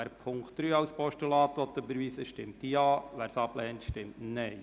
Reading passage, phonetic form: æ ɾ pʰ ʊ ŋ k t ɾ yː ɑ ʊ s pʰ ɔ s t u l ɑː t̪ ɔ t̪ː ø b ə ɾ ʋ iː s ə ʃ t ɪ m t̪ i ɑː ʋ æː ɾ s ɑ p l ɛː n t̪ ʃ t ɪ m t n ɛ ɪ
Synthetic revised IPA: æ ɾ pʰ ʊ ŋ k t ɾ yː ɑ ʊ s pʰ ɔ ʃ t u l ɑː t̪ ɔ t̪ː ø b ə ɾ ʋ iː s ə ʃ t ɪ m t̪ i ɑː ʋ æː ɾ s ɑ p l ɛː n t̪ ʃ t ɪ m t n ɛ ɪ